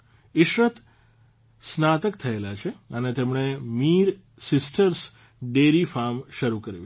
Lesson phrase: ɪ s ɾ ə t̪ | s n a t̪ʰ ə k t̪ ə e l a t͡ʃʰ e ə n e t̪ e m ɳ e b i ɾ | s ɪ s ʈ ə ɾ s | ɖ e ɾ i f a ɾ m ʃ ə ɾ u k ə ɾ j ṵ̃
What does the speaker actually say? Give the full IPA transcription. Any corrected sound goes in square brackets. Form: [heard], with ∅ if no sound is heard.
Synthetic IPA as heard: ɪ [ʃ] ɾ ə t̪ | s n a [t̪] ə k [t̪ʰ] ə e l a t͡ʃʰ e ə n e t̪ e m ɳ e [m] i ɾ | s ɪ s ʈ ə ɾ s | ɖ e ɾ i f a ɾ m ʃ ə ɾ u k ə ɾ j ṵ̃